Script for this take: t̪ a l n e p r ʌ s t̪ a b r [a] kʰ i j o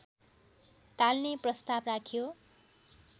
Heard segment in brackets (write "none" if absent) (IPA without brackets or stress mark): a